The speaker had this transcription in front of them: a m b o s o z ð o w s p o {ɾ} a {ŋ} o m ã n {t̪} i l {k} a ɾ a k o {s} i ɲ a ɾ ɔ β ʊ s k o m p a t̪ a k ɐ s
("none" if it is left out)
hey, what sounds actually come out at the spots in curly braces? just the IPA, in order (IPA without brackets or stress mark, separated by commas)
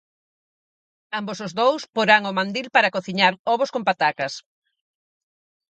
ɾ, ŋ, d̪, p, θ